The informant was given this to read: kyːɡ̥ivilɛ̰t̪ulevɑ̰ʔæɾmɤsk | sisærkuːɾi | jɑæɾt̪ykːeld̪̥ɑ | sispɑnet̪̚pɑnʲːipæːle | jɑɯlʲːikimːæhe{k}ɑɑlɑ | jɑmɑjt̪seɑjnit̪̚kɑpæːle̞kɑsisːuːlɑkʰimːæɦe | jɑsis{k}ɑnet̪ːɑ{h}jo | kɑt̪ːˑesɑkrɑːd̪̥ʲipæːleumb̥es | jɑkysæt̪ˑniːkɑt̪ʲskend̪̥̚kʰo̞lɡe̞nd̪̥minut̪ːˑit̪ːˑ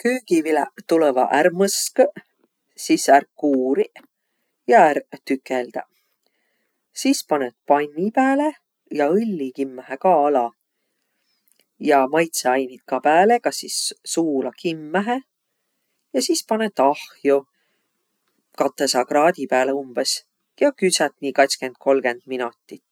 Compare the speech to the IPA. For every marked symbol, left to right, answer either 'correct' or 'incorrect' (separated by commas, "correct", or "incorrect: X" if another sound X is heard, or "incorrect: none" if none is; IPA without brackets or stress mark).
correct, incorrect: p, correct